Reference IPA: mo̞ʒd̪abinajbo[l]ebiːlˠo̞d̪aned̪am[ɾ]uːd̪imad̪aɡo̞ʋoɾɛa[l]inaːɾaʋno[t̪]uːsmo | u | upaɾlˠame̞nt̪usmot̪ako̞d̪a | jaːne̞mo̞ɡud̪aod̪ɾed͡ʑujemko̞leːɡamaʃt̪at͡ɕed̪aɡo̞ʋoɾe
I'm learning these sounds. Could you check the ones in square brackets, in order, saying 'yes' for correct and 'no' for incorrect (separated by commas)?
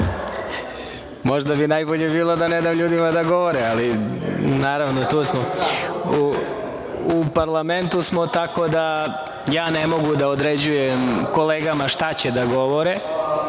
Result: no, no, yes, yes